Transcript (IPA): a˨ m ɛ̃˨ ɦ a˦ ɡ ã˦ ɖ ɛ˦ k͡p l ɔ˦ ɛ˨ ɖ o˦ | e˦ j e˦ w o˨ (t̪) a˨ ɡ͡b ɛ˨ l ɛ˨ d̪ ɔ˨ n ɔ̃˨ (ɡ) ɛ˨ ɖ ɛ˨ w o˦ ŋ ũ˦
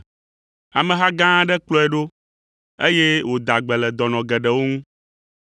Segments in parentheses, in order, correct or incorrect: incorrect: d̪, correct

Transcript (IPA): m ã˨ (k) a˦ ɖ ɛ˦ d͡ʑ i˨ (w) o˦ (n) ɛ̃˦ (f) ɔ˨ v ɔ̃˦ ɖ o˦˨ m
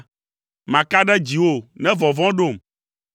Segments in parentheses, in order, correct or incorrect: correct, correct, correct, incorrect: v

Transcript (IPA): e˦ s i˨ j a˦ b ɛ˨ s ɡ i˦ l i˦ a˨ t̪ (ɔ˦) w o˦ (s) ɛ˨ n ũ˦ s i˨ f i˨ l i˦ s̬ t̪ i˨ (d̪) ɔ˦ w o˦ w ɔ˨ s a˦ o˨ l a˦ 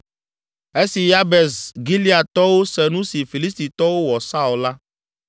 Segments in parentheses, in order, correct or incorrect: correct, correct, incorrect: t̪

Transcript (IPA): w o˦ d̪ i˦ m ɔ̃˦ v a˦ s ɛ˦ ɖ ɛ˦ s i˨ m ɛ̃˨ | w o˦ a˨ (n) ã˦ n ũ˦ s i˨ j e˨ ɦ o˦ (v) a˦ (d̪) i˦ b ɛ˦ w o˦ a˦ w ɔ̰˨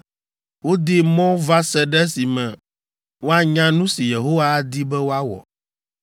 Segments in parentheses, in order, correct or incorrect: incorrect: ɲ, incorrect: w, correct

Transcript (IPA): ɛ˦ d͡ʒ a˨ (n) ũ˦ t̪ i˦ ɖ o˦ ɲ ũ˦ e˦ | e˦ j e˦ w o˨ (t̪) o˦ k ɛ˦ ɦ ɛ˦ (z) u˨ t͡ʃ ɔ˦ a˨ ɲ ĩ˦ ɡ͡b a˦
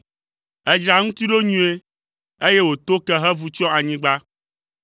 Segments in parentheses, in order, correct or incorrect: incorrect: ŋ, correct, incorrect: v

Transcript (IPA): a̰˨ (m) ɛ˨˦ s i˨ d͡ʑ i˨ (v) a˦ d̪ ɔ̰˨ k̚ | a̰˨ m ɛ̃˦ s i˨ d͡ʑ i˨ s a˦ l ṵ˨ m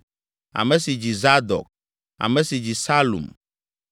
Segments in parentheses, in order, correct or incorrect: correct, incorrect: z

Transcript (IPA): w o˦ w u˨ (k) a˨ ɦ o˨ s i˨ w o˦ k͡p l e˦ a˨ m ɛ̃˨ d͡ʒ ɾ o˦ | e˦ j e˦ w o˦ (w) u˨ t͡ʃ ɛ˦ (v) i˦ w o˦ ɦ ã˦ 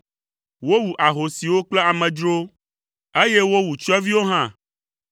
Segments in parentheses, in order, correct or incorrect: incorrect: ʔ, correct, correct

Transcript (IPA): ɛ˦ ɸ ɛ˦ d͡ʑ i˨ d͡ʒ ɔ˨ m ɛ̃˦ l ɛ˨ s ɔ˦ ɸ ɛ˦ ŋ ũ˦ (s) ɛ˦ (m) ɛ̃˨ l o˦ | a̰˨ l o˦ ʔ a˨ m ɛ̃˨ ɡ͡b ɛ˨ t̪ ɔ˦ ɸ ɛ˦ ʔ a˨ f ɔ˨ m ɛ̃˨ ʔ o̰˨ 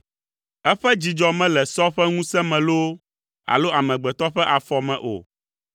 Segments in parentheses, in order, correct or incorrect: correct, correct

